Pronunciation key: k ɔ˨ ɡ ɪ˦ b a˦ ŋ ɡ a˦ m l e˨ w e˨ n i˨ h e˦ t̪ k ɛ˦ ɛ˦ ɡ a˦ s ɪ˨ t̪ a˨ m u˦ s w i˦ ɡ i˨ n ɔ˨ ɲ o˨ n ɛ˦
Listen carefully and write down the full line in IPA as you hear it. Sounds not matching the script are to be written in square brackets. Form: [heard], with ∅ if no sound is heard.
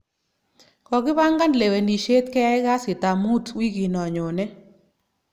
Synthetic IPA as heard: k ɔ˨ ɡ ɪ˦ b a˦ ŋ ɡ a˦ [n] l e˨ w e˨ n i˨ [ʃ] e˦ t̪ k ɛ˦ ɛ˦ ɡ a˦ s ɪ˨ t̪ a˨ m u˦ [t] w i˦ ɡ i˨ n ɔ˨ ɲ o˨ n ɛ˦